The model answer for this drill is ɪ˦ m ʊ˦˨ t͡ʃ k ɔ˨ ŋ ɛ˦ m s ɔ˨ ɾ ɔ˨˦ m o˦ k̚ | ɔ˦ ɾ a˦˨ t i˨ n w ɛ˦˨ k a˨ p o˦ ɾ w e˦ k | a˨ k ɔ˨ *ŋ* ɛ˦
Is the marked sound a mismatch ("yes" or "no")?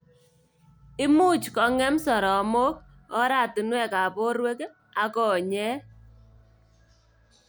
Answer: yes